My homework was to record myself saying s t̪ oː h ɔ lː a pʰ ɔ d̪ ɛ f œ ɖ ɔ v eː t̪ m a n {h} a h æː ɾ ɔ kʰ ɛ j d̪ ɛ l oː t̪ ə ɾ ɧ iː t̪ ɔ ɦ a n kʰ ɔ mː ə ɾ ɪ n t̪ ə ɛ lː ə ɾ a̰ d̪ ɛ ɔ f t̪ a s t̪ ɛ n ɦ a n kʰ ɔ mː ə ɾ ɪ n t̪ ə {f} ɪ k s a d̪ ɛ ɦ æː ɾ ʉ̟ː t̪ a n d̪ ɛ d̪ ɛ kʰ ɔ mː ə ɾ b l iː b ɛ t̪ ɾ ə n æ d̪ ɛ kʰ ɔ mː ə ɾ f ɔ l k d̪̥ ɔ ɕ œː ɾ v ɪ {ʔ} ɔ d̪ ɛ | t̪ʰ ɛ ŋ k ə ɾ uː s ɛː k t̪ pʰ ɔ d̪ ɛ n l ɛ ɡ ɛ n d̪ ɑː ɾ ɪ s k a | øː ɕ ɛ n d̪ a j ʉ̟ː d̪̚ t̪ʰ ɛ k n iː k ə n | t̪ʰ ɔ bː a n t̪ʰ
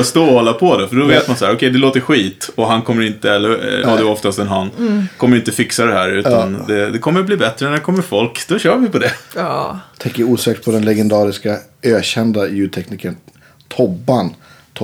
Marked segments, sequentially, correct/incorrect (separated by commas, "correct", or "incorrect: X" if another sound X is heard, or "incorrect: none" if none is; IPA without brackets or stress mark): incorrect: s, correct, incorrect: p